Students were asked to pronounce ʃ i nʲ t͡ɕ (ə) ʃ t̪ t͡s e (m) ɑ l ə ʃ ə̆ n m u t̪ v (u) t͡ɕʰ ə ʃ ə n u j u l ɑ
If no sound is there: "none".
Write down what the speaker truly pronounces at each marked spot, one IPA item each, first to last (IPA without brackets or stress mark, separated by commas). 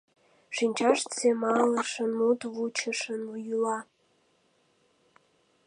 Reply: ɑ, m, u